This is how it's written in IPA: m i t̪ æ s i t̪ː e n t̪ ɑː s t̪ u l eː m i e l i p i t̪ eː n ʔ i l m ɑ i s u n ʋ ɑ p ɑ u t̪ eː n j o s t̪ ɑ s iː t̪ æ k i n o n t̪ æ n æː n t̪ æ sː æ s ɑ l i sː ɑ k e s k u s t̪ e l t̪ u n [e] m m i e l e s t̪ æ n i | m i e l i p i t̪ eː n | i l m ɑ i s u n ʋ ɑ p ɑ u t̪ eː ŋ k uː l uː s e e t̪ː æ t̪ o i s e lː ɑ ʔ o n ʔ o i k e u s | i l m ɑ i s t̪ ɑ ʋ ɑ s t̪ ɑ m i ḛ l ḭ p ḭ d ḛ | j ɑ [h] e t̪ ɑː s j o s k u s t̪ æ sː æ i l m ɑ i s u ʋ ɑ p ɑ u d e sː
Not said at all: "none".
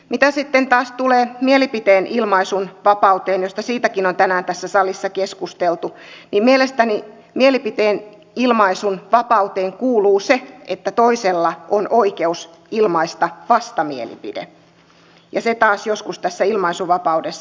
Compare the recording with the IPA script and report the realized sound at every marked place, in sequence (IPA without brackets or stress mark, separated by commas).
i, s